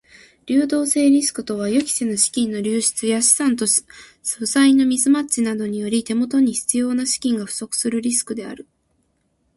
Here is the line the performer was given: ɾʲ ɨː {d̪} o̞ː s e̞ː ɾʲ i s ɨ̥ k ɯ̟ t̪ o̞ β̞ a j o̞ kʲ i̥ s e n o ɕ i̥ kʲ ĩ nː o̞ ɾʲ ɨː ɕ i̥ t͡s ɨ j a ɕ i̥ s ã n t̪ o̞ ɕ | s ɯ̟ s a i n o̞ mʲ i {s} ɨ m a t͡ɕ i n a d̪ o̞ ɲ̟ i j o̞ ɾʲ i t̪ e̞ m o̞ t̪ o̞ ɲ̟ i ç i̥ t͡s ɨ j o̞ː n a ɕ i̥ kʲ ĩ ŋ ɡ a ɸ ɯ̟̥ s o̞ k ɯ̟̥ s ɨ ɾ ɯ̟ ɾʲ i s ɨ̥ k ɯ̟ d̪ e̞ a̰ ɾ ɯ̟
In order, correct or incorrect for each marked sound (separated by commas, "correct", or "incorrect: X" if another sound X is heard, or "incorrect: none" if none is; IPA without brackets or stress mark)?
correct, incorrect: z